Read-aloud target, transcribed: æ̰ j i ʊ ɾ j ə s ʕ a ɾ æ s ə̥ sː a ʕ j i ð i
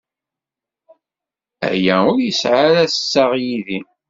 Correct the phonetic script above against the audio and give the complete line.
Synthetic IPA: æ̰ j æ ʊ ɾ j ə s ʕ a ɾ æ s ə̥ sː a ʁ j i ð i